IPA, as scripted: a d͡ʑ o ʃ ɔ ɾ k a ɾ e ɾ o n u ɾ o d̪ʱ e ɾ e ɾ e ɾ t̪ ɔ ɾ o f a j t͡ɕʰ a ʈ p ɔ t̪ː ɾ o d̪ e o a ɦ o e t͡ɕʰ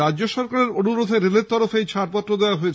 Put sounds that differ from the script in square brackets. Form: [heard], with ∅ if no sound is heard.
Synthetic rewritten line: a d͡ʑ o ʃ ɔ ɾ k a ɾ e ɾ o n u ɾ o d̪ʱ e ɾ e [l] e ɾ t̪ ɔ ɾ o f [e] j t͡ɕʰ a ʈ p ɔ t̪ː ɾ o d̪ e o a ɦ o e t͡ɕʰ